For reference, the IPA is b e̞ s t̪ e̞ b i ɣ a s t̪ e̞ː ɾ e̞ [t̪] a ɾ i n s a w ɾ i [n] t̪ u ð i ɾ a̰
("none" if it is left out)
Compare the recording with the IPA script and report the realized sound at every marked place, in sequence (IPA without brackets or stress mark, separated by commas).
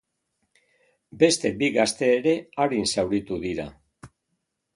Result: none, none